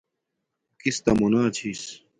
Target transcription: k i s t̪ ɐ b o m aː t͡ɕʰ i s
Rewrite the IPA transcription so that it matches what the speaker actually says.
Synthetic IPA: k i s t̪ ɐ m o n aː t͡ɕʰ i s